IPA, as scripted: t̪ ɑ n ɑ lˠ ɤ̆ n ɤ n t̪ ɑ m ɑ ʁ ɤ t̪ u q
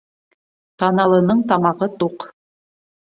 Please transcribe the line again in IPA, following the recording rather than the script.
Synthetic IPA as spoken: t̪ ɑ n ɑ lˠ ɤ̆ n ɤ ɴ t̪ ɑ m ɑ ʁ ɤ t̪ u q